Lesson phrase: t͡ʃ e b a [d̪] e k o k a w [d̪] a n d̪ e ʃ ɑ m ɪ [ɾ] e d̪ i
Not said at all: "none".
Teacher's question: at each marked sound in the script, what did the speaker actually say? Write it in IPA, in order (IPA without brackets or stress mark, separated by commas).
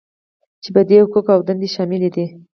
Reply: d̪, d̪, l